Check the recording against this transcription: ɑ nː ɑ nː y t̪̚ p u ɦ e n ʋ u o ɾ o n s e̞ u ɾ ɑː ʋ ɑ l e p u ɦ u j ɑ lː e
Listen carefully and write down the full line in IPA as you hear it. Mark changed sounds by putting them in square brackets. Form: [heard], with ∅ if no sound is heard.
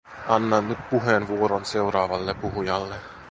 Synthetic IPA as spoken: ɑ nː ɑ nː y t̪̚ p u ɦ e n ʋ u o ɾ o n s e̞ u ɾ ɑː ʋ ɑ [lː] e p u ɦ u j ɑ lː e